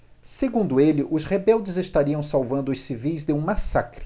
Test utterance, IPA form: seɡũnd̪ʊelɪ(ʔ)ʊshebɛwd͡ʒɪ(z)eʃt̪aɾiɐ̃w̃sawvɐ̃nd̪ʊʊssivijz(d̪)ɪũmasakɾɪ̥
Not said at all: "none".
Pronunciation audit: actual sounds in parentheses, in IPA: ʔ, z, d̪

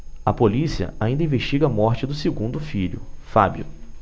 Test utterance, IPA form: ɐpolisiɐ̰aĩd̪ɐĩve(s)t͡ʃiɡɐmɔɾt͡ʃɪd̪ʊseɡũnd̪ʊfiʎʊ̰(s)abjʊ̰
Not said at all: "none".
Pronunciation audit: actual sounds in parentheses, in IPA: ʃ, f

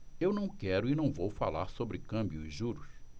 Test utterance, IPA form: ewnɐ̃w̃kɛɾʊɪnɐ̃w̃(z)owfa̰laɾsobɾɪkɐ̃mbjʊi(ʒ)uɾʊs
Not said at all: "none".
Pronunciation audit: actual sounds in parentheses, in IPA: v, ʒ

